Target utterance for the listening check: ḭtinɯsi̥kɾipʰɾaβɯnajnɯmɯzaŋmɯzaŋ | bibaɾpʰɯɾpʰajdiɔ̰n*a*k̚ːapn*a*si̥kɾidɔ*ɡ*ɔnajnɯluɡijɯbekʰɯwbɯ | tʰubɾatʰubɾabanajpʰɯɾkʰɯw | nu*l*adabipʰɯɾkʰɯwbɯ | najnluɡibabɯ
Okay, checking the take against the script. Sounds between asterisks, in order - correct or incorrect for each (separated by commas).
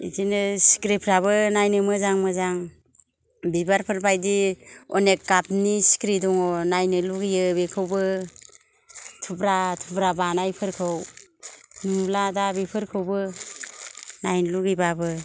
incorrect, incorrect, incorrect, correct